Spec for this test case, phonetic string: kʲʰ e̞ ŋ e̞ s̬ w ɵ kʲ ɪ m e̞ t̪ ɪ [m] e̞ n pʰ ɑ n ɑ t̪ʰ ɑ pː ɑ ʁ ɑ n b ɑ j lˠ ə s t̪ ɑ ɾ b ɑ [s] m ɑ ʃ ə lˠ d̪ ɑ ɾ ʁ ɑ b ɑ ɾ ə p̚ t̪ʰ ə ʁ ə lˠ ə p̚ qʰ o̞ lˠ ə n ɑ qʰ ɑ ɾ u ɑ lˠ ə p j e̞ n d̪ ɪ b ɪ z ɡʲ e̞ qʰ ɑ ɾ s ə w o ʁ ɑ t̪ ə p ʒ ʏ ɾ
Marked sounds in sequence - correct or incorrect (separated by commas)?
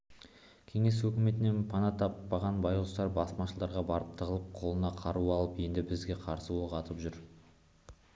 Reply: incorrect, correct